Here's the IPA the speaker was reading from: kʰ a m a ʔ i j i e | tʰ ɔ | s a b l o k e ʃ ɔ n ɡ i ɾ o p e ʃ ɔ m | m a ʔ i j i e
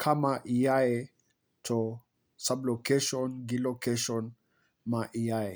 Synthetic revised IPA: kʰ a m a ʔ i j a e | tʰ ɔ | s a b l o k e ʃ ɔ n ɡ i l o k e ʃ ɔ n | m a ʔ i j a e